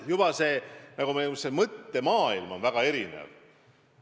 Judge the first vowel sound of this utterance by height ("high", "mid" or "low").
high